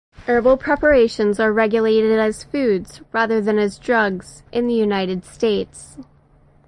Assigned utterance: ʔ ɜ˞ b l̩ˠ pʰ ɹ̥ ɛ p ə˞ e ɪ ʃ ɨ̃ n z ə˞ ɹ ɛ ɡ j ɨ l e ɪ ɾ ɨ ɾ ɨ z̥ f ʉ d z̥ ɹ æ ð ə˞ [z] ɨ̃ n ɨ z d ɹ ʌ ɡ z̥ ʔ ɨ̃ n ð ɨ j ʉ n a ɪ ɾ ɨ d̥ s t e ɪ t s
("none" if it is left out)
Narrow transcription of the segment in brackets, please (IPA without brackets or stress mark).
ð